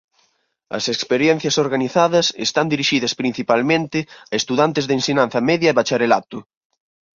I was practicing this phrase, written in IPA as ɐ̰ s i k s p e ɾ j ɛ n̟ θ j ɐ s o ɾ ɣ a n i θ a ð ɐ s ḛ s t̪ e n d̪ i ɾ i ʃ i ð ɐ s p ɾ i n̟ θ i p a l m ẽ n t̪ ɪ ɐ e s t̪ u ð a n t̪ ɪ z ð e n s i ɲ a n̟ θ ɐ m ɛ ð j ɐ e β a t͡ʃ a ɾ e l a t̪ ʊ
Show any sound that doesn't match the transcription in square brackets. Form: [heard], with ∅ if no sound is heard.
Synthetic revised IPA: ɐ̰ s [e] k s p e ɾ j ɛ n̟ θ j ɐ s o ɾ ɣ a n i θ a ð ɐ s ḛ s t̪ [a] n d̪ i ɾ i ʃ i ð ɐ s p ɾ i n̟ θ i p a l m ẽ n t̪ ɪ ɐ e s t̪ u ð a n t̪ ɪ z ð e n s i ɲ a n̟ θ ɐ m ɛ ð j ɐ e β a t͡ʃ a ɾ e l a t̪ ʊ